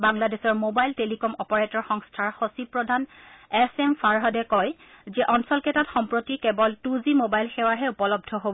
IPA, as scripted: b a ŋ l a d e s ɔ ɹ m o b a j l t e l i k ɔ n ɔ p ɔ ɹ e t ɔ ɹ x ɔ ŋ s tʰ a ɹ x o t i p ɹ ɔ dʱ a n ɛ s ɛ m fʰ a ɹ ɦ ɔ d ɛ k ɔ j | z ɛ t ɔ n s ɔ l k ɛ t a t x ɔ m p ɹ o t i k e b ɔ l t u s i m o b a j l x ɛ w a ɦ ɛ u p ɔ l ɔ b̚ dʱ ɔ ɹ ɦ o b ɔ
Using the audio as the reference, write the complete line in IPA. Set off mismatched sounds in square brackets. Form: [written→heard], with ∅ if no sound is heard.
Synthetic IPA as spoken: b a ŋ l a d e s ɔ ɹ m o b a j l t e l i k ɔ [n→m] ɔ p ɔ ɹ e t ɔ ɹ x ɔ ŋ s tʰ a ɹ x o [t→s] i p ɹ ɔ dʱ a n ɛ s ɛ m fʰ a ɹ ɦ ɔ d ɛ k ɔ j | z ɛ [t→ʔ] ɔ n s ɔ l k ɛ t a t x ɔ m p ɹ o t i k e b ɔ l t u [s→z] i m o b a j l x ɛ w a ɦ ɛ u p ɔ l ɔ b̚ dʱ ɔ [ɹ→∅] ɦ o b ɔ